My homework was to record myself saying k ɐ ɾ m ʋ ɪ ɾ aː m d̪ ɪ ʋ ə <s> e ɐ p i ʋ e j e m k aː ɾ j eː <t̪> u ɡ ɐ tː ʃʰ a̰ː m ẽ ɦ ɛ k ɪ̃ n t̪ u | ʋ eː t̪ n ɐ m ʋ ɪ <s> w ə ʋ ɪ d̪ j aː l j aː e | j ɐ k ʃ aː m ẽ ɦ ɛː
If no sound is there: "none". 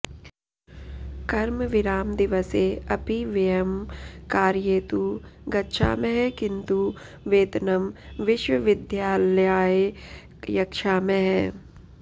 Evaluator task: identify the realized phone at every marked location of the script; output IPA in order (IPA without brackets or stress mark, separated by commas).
s, t̪, ʃ